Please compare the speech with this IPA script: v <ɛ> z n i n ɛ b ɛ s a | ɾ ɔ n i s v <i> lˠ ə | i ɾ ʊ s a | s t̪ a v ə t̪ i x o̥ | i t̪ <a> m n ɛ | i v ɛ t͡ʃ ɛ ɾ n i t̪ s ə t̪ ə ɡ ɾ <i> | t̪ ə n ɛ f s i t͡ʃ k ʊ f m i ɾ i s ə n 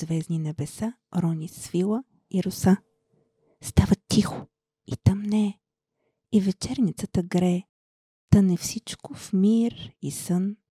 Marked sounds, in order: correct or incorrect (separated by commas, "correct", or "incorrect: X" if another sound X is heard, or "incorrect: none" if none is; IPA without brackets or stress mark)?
correct, correct, correct, incorrect: ɛ